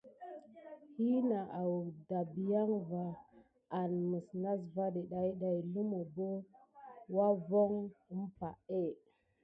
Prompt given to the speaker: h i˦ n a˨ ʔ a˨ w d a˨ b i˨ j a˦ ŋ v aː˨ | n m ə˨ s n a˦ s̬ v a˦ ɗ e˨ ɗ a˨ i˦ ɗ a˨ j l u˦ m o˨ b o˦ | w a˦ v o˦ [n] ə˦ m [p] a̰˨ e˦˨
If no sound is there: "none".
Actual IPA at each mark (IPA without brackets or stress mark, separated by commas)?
ŋ, p